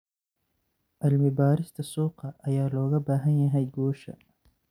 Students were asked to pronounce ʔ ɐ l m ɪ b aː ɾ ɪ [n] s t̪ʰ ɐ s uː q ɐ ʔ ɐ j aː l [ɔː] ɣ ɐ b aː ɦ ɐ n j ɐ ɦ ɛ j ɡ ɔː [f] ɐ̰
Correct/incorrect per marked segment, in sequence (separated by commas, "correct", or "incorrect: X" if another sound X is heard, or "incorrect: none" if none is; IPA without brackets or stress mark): incorrect: none, correct, incorrect: ʃ